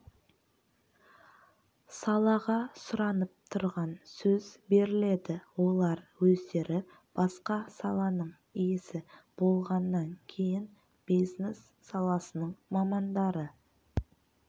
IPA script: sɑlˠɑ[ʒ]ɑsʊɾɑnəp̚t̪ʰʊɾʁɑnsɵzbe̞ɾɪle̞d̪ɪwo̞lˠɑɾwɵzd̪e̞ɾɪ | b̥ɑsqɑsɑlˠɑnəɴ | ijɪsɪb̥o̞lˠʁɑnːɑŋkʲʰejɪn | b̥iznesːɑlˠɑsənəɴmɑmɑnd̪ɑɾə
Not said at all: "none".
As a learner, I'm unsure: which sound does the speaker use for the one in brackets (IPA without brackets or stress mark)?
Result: ʁ